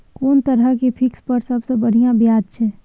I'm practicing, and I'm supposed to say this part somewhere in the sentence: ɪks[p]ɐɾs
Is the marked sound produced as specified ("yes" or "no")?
yes